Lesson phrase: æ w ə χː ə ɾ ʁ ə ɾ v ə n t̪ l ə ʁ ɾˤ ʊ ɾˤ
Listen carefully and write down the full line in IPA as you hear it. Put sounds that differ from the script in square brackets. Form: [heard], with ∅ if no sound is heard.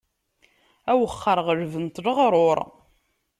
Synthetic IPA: æ w ə χː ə ɾ ʁ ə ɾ v ə n t̪ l ə ʁ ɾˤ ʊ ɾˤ

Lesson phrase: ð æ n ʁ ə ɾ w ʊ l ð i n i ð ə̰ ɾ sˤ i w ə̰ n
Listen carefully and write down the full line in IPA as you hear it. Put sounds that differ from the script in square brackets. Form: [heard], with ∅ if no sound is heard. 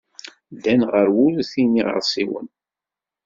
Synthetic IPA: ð æ n ʁ ə ɾ w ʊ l [θ] i n i [ʁ] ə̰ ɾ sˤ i w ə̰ n

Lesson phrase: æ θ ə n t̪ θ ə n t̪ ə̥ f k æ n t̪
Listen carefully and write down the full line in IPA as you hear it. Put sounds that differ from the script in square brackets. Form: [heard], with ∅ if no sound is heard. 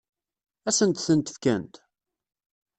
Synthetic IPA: æ [s] ə n t̪ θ ə n t̪ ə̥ f k æ n t̪

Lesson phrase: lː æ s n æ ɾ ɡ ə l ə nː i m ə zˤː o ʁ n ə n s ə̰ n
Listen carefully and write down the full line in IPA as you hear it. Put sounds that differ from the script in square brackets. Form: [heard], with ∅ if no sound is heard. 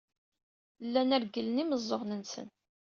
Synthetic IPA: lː æ [∅] n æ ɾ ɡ ə l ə [n] i m ə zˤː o ʁ n ə n s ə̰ n

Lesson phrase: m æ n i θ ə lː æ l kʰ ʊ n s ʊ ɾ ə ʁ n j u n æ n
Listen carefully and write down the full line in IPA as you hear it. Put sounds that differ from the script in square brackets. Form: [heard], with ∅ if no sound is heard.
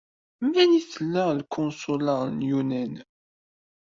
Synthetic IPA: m æ n i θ ə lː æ l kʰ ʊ n s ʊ [l] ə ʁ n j u n æ n

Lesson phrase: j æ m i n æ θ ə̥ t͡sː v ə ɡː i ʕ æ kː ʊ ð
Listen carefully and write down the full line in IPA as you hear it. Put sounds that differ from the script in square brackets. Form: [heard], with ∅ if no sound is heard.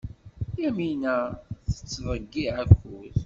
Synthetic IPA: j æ m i n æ θ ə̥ t͡sː v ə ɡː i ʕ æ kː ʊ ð

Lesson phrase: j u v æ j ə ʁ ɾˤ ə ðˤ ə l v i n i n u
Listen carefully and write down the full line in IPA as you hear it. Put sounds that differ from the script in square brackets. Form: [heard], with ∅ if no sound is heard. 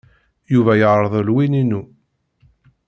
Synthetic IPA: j u v æ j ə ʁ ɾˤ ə ðˤ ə l [w] i n i n u

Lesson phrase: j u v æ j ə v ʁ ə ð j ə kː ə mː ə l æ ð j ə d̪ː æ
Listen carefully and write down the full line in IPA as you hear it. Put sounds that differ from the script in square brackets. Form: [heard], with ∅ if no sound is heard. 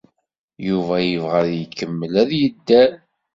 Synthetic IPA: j u v æ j ə v ʁ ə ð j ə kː ə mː ə l æ ð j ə d̪ː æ

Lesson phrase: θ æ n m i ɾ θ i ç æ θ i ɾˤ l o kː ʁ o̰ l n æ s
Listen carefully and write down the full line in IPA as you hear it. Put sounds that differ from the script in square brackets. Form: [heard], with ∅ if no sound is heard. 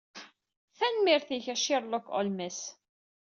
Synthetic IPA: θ æ n m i ɾ θ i ç æ [ʃ] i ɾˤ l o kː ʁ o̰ l [m] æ s

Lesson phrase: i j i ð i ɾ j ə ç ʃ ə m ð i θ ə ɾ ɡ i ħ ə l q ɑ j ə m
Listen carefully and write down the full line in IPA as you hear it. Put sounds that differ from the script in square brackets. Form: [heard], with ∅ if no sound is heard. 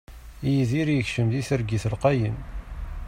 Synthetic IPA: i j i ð i ɾ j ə ç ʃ ə m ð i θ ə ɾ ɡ i [θ] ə l q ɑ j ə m

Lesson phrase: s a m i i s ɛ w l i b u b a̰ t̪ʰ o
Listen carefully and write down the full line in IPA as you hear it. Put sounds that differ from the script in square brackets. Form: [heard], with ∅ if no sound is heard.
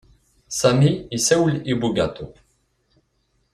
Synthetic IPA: s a m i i s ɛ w l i b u [ɡ] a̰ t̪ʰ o

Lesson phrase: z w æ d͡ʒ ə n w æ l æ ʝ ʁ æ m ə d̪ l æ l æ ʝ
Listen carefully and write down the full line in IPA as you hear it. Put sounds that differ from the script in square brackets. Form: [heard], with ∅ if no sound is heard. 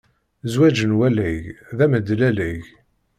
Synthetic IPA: z w æ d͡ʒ ə n w æ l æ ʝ [ð] æ m ə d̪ l æ l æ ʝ

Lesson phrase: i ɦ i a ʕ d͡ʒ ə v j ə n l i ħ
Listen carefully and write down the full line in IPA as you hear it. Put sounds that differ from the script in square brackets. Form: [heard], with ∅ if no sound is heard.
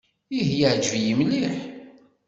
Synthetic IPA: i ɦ [j] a ʕ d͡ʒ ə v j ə [m] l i ħ

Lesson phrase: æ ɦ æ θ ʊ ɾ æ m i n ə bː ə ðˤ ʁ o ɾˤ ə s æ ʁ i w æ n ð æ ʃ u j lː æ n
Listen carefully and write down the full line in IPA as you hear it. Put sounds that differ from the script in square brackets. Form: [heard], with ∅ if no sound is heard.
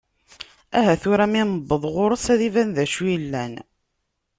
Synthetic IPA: æ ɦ æ θ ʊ ɾ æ m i n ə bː ə ðˤ ʁ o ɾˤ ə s æ [ð] i [v] æ n ð æ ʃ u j lː æ n

